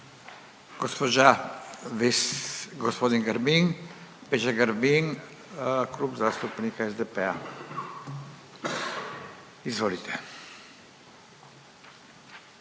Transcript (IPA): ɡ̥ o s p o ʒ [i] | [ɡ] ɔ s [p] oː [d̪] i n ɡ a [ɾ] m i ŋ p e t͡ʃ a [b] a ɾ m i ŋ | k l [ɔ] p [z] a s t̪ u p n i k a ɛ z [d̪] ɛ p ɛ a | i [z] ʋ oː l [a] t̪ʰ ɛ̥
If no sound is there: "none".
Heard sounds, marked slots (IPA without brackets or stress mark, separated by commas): a, ɡ, p, d̪, ɾ, ɡ, u, z, d̪, z, i